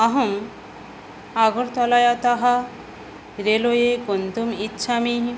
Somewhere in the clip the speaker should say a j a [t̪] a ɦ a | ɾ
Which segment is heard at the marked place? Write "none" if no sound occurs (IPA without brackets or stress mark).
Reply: t̪